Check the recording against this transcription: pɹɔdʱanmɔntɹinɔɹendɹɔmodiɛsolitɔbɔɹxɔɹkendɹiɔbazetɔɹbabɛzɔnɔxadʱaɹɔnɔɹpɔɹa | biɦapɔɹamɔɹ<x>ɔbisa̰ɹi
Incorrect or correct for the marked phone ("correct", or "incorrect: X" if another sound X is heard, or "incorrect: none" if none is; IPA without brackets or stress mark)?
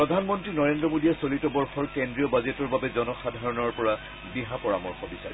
correct